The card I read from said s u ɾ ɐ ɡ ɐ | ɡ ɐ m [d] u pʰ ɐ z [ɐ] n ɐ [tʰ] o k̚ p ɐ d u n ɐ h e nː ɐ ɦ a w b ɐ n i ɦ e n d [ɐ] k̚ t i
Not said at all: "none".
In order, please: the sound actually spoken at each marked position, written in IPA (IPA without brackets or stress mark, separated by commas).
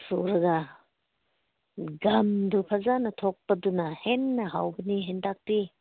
d, a, tʰ, a